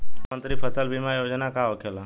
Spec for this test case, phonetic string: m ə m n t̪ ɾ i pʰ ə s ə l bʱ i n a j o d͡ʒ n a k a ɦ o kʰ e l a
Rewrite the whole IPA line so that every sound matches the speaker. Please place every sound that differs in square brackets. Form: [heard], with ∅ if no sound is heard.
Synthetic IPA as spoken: m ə [∅] n t̪ ɾ i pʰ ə s ə l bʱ i [m] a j o d͡ʒ n a k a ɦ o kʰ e l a